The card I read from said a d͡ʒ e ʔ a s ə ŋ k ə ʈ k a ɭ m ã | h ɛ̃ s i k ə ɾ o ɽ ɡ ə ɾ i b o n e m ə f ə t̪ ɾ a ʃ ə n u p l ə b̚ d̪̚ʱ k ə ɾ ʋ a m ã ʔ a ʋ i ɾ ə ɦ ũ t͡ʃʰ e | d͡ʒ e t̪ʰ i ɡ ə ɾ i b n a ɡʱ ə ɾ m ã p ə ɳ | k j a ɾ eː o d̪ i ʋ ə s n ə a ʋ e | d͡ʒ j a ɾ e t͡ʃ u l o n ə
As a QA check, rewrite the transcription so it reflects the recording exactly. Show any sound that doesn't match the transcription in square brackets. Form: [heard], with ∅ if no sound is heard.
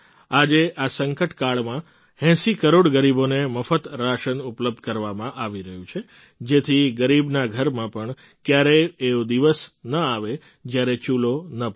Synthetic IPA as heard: a d͡ʒ e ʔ a s ə ŋ k ə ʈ k a ɭ m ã | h ɛ̃ s i k ə ɾ o ɽ ɡ ə ɾ i b o n e m ə f ə t̪ ɾ a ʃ ə n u p l ə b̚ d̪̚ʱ k ə ɾ ʋ a m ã ʔ a ʋ i ɾ ə ɦ ũ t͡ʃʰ e | d͡ʒ e t̪ʰ i ɡ ə ɾ i b n a ɡʱ ə ɾ m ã p ə ɳ | k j a ɾ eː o d̪ i ʋ ə s n ə a ʋ e | d͡ʒ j a ɾ e t͡ʃ u l o n ə